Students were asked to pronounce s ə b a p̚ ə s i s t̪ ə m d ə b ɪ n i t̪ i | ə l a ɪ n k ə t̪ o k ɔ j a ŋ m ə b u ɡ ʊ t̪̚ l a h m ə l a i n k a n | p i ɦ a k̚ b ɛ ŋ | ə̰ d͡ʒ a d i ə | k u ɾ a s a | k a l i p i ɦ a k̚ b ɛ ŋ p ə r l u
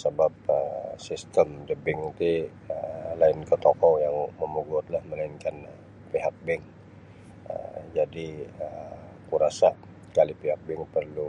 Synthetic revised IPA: s ə b a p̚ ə s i s t̪ ə m d ə b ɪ ŋ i t̪ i | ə l a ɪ n k ə t̪ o k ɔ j a ŋ m ə m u ɡ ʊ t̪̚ l a h m ə l a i n k a n | p i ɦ a k̚ b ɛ ŋ | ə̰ d͡ʒ a d i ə | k u ɾ a s a | k a l i p i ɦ a k̚ b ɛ ŋ p ə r l u